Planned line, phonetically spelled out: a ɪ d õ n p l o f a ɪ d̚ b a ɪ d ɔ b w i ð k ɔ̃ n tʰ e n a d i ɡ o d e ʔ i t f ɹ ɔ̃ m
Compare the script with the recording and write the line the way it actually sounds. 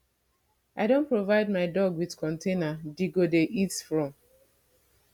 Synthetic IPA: a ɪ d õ n p ɹ o v a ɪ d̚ m a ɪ d ɔ ɡ w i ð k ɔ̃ n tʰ e n a d i ɡ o d e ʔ i t f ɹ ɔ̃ m